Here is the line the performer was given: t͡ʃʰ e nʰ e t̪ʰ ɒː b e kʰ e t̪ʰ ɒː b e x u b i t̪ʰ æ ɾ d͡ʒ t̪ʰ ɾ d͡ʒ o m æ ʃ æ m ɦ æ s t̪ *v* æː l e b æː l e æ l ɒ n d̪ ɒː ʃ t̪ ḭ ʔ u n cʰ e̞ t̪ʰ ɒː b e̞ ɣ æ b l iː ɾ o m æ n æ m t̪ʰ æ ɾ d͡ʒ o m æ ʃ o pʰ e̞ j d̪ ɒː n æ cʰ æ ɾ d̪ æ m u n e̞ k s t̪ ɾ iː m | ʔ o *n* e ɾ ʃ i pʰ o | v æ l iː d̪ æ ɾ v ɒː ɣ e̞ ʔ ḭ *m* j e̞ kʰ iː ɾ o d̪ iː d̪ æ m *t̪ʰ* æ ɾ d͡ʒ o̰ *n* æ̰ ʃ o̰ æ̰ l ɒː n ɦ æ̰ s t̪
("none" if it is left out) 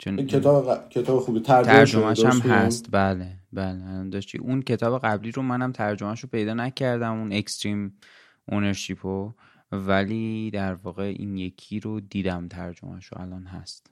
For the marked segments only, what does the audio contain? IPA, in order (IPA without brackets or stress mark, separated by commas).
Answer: b, n, n, t̪ʰ, m